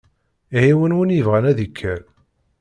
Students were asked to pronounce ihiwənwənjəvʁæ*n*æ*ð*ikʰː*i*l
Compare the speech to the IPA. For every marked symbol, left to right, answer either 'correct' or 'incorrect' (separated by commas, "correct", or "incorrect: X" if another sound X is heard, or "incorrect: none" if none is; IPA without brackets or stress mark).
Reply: correct, correct, incorrect: æ